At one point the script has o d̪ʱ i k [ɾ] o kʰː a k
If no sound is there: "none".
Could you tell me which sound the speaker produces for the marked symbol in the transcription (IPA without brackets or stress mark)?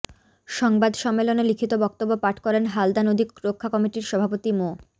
ɾ